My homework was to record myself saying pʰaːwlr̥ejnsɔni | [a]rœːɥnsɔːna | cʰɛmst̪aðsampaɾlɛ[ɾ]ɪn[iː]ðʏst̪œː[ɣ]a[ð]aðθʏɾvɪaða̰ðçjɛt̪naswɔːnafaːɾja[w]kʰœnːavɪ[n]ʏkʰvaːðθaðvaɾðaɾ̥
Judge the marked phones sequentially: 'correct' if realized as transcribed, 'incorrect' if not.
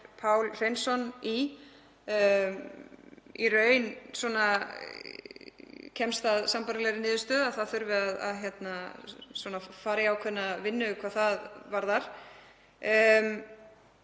incorrect: i, correct, incorrect: ɪː, incorrect: ð, incorrect: θ, correct, incorrect: nː

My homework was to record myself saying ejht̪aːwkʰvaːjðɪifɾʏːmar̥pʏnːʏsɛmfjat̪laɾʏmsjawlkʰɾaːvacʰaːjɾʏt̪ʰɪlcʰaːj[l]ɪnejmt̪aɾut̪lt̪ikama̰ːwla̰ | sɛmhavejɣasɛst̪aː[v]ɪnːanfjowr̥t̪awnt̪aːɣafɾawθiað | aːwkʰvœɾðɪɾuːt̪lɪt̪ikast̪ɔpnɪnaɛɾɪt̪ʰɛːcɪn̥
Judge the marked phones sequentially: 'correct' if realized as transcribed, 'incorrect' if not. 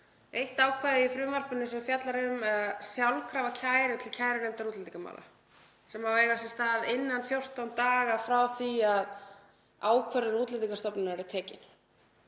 incorrect: ɾ, incorrect: ð

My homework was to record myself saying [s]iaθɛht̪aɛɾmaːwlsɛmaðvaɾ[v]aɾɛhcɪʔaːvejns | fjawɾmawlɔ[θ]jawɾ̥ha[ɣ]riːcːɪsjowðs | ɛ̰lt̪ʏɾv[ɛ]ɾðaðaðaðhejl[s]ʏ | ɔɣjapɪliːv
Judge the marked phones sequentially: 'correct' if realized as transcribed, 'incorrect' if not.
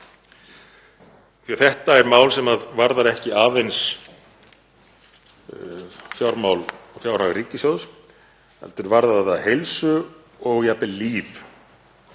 incorrect: θ, incorrect: ð, incorrect: f, correct, incorrect: a, correct

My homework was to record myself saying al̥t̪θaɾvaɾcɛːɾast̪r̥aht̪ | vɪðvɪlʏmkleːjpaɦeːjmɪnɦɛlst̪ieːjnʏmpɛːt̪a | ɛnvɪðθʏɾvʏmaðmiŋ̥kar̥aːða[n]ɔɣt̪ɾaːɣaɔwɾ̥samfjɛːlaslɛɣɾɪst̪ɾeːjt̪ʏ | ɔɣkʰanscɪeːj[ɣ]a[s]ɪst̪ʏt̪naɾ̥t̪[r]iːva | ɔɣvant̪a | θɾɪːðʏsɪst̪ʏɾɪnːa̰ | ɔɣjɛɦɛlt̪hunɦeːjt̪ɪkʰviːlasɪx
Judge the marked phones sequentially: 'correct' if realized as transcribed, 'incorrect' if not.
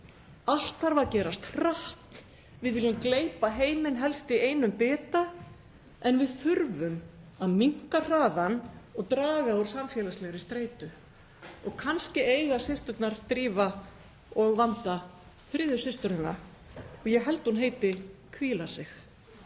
correct, correct, correct, incorrect: ɾ

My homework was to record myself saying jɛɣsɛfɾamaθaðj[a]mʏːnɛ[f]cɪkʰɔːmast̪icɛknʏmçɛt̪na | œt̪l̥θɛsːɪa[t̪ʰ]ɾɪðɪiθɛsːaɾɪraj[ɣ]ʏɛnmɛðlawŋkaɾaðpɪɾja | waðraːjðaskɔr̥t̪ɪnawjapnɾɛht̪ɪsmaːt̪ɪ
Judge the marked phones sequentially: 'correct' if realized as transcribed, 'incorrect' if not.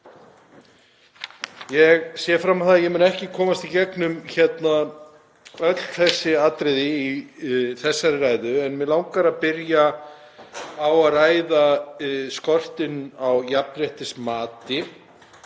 incorrect: ɛ, incorrect: h, incorrect: t̪, incorrect: ð

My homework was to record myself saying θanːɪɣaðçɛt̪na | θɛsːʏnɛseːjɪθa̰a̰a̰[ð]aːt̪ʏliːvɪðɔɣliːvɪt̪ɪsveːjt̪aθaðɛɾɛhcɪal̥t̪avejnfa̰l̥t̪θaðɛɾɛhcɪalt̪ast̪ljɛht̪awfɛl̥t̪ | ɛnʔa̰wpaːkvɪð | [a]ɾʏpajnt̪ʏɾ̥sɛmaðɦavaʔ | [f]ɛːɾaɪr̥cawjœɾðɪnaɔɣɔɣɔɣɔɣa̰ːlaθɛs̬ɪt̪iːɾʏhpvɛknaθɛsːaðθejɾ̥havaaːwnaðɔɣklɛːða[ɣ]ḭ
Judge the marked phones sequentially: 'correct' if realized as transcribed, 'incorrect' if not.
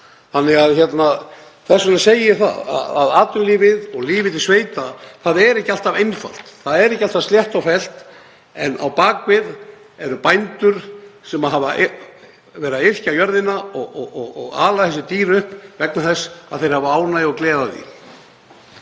correct, incorrect: ɛ, incorrect: v, incorrect: ð

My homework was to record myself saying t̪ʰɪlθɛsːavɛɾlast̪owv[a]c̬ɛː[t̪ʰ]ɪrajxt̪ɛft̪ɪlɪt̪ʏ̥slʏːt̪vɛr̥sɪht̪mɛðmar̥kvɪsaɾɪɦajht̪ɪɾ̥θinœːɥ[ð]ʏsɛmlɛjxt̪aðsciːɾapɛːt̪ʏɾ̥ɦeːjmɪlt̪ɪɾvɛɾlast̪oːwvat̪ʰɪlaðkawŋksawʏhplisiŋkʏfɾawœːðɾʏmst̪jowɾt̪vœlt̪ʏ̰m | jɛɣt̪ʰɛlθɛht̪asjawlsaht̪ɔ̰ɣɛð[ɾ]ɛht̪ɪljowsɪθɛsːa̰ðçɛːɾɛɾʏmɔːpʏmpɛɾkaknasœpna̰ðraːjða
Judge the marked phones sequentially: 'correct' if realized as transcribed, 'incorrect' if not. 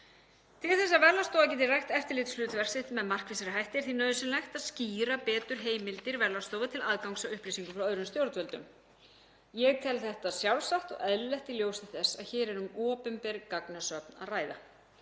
correct, incorrect: t̪, correct, incorrect: l

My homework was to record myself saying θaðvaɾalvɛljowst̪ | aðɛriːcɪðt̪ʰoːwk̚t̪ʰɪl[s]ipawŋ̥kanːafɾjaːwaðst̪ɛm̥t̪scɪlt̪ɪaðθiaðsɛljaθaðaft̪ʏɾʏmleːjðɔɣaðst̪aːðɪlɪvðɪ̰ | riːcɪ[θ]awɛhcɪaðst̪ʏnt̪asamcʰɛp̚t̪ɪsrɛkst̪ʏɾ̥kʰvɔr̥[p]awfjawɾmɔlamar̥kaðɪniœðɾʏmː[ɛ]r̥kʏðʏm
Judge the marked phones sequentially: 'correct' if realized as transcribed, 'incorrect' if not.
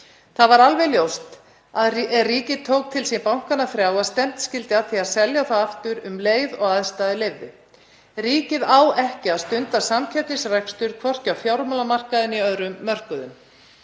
correct, incorrect: ð, incorrect: c, incorrect: œ

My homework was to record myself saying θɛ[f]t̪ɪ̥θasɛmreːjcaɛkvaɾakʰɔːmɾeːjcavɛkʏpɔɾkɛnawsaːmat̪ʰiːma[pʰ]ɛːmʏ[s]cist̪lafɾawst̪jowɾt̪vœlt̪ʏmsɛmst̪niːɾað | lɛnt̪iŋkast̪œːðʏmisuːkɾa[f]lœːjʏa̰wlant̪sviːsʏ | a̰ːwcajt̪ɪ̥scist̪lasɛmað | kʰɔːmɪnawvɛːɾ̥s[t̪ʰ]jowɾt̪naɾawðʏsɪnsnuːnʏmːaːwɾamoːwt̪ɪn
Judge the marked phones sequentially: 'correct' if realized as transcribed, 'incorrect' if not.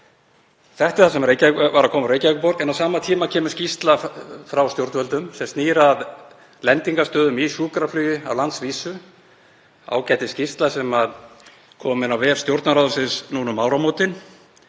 incorrect: h, incorrect: cʰ, correct, correct, incorrect: t̪

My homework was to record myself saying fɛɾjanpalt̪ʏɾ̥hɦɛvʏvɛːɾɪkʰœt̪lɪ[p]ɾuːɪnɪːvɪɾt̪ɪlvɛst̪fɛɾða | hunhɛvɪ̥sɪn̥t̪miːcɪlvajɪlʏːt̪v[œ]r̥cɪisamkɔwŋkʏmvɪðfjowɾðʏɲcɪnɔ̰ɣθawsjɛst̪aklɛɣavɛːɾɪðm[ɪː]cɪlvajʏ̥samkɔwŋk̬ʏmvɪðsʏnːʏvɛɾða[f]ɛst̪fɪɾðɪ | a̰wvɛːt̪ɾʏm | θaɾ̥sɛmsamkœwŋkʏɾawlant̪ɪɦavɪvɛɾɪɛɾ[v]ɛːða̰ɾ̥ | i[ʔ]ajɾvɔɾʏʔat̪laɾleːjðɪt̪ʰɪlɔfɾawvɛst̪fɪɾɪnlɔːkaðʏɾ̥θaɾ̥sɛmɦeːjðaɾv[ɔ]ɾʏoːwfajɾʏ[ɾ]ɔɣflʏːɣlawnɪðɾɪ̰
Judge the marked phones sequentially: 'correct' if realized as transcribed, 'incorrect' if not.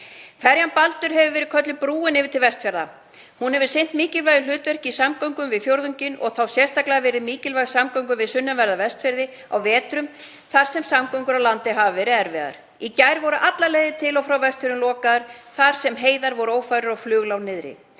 correct, incorrect: ɛ, incorrect: iː, incorrect: v, correct, incorrect: c, correct, correct

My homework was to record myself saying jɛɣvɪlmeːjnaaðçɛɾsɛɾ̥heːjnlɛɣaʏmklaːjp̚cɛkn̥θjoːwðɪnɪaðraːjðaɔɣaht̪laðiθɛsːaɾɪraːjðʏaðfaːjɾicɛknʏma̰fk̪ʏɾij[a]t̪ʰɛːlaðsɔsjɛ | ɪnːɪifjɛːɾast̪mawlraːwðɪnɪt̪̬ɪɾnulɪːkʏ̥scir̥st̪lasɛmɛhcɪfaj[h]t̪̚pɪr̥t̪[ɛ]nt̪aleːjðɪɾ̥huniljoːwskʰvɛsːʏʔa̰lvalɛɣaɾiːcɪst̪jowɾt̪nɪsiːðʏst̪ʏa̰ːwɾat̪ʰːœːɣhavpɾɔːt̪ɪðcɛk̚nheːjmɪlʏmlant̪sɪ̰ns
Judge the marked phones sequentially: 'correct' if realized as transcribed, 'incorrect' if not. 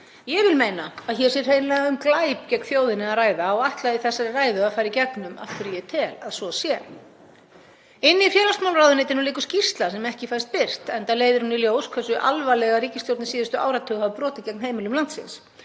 incorrect: ɛ, incorrect: s, correct

